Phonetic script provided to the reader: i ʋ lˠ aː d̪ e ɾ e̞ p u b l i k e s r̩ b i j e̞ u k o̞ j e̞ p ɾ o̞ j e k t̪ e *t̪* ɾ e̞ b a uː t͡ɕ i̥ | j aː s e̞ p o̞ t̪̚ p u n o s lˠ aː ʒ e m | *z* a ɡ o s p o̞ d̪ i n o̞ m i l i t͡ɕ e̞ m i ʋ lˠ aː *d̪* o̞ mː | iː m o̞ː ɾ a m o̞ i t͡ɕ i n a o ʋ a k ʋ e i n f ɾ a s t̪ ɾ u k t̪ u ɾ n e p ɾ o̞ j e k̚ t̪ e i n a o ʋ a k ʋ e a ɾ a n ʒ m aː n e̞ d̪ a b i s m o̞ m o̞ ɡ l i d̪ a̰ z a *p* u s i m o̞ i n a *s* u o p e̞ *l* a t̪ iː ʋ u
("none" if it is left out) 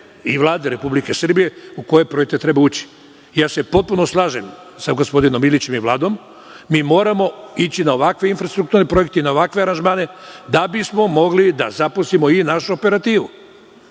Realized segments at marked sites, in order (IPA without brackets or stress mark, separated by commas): t̪, s, d̪, p, ʃ, ɾ